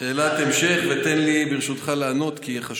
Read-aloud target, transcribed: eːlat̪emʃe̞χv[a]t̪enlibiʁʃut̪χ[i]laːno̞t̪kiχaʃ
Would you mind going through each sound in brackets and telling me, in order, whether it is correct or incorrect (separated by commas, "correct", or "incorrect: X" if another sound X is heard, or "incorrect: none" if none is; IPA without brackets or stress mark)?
incorrect: e, incorrect: a